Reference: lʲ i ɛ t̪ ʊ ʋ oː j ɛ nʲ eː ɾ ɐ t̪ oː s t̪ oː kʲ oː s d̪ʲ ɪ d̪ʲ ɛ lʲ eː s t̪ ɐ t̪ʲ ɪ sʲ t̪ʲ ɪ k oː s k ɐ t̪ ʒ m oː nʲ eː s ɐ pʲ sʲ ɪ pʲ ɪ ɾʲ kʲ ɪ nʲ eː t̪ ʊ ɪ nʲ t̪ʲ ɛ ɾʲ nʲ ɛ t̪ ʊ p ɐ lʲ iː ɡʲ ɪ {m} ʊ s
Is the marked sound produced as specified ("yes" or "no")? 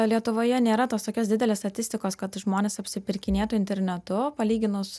no